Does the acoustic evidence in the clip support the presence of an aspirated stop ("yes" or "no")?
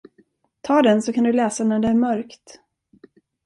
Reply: yes